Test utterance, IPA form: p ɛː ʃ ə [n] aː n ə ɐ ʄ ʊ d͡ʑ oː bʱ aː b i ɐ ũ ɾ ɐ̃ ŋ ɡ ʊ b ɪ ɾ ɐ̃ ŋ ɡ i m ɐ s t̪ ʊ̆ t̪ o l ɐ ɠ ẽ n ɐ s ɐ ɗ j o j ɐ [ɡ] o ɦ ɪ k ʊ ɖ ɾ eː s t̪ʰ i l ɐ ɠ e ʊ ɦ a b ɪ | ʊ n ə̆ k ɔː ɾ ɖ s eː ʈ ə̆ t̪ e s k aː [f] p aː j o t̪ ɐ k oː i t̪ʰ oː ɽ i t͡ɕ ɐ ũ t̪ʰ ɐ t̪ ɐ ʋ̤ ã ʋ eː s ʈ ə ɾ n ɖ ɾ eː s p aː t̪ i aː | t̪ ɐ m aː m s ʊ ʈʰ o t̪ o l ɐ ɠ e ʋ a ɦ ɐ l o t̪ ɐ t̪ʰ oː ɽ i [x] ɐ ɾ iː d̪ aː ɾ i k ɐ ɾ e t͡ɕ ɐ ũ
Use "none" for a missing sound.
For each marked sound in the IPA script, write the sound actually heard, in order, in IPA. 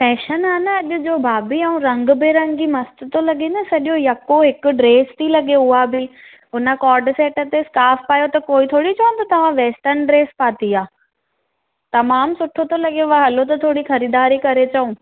n, k, f, x

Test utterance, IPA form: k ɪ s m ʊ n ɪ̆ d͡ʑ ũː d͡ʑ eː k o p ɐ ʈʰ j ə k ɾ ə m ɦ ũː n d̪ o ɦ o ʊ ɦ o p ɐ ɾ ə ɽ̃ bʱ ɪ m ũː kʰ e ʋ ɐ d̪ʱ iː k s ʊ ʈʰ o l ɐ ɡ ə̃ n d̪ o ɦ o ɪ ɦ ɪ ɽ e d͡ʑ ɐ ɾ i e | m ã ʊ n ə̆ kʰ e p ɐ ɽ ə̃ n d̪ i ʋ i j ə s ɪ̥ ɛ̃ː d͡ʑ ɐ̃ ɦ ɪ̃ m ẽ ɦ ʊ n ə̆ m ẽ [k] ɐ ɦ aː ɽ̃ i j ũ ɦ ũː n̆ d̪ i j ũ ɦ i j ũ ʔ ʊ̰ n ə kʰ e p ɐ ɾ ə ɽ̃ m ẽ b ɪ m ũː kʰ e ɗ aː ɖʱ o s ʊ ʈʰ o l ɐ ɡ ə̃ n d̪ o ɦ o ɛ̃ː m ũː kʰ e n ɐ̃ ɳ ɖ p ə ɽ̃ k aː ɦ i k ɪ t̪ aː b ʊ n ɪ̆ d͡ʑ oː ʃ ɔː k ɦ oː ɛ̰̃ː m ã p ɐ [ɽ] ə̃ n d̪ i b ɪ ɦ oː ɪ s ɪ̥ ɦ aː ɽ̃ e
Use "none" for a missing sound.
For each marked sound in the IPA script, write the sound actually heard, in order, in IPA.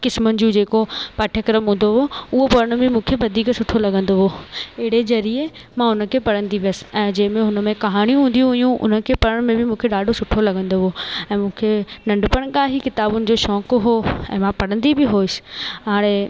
k, ɽ

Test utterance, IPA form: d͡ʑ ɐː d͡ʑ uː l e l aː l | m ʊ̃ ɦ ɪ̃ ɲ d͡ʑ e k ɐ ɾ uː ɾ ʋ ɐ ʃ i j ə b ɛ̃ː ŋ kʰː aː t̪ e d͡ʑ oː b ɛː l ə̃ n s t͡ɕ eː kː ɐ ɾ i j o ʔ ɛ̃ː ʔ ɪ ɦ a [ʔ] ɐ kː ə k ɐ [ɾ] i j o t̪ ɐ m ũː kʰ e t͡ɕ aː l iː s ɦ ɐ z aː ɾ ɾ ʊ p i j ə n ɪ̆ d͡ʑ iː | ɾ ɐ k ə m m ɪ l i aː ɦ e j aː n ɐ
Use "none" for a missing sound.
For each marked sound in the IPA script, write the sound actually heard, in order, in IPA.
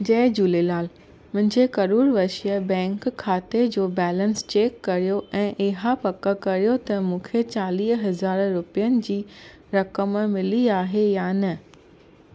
p, ɾ

